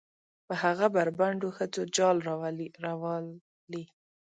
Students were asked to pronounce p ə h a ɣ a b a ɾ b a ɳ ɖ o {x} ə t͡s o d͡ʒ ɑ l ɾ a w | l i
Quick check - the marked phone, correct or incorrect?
correct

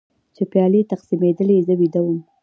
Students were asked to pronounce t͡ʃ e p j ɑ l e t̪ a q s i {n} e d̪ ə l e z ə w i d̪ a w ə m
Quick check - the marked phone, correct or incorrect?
incorrect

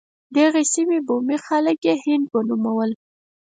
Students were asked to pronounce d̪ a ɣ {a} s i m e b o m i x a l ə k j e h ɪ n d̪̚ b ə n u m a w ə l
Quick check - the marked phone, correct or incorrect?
incorrect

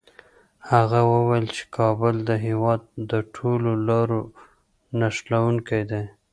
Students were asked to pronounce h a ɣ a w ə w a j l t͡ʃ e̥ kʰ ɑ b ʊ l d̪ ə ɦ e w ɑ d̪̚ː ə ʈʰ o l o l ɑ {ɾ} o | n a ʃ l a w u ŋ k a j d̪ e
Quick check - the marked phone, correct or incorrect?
correct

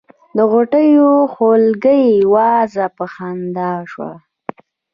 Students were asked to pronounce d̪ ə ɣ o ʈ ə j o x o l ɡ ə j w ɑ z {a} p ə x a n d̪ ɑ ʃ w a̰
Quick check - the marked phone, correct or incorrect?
correct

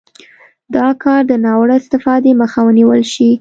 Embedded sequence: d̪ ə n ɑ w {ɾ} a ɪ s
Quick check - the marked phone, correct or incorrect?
incorrect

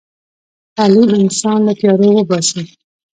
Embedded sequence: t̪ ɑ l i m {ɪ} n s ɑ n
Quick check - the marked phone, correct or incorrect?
correct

